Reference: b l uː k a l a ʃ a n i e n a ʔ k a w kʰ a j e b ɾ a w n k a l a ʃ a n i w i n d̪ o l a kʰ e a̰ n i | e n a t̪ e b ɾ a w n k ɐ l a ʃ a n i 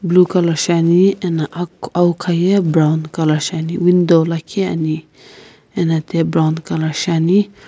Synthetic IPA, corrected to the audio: b l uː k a l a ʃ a n i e n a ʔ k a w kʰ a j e b ɾ a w n k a l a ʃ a n i w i n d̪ o l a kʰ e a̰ n i | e n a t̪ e b ɾ a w n k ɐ l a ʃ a n i